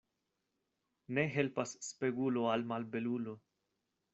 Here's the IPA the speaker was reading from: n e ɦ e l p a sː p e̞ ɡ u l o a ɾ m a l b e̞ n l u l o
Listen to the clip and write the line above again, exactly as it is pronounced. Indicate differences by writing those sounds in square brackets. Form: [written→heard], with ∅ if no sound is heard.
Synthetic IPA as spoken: n e ɦ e l p a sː p e̞ ɡ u l o a [ɾ→l] m a l b e̞ [n→∅] l u l o